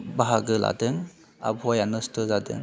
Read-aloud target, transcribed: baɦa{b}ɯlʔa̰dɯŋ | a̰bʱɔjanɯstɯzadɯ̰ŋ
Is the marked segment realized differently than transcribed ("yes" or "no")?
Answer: yes